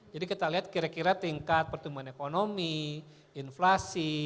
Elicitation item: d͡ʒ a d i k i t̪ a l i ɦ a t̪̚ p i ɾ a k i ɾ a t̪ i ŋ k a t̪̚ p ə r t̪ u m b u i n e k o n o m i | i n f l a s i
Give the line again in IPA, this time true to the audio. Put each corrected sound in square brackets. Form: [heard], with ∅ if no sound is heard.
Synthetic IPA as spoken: d͡ʒ a d i k i t̪ a l i ɦ a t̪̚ [k] i ɾ a k i ɾ a t̪ i ŋ k a t̪̚ p ə r t̪ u m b u [a] n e k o n o m i | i n f l a s i